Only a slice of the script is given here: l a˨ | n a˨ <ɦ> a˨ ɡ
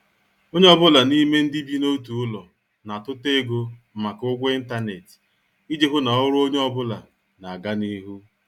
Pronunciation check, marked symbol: incorrect: none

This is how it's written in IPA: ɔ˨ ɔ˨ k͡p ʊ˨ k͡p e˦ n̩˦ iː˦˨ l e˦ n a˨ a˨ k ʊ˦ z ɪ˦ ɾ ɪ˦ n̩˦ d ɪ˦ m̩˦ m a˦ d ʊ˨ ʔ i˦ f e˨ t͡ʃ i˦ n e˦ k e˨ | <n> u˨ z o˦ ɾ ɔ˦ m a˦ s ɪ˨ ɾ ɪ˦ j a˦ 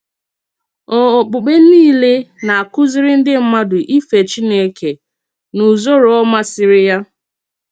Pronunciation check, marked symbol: correct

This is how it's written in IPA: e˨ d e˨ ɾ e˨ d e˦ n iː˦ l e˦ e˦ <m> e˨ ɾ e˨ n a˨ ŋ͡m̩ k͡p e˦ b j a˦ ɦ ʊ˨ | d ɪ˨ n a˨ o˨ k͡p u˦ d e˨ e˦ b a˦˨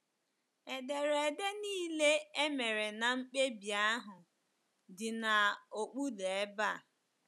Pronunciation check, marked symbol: correct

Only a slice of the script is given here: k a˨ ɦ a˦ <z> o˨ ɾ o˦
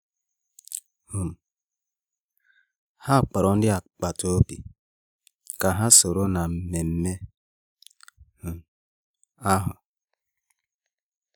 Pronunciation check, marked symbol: incorrect: s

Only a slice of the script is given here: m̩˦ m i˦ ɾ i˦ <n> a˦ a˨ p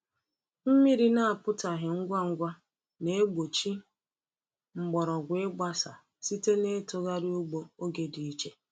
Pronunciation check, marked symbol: correct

